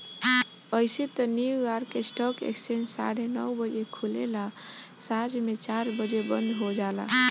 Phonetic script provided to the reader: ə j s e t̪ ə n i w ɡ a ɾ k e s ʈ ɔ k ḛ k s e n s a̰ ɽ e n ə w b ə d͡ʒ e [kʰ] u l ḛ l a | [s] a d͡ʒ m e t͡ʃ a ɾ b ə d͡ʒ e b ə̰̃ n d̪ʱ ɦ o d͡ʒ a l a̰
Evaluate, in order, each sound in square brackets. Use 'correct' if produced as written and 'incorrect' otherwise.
correct, correct

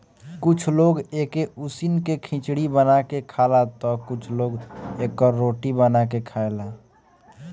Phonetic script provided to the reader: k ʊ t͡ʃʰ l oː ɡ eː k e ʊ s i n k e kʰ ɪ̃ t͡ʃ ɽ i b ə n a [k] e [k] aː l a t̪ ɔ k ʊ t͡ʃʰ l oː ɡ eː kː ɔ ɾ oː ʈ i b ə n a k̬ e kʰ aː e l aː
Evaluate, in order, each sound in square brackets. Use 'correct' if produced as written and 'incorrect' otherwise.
correct, incorrect: kʰ

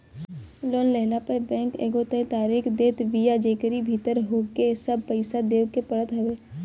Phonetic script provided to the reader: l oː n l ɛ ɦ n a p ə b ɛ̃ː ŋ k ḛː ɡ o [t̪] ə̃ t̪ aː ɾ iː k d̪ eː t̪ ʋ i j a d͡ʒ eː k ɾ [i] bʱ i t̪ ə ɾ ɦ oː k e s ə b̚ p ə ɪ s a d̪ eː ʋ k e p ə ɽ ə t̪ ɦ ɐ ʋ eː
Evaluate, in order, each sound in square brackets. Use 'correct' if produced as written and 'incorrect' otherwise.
correct, correct

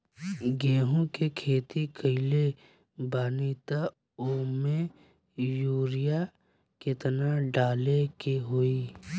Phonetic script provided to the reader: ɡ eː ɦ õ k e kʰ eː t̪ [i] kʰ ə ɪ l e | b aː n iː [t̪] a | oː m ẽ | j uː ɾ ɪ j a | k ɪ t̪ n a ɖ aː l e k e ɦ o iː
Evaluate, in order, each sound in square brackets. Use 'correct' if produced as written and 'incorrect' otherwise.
correct, correct

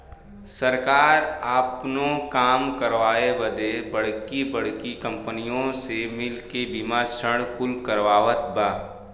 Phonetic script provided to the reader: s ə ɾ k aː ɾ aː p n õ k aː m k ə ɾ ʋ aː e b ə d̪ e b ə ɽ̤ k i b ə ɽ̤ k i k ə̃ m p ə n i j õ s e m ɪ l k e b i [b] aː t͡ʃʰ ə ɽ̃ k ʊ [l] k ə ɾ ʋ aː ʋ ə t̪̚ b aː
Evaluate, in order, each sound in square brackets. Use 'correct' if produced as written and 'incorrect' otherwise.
incorrect: m, correct

